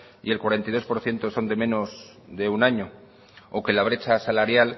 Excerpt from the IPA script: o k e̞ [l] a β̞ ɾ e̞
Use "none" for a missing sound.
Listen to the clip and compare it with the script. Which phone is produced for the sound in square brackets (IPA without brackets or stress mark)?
l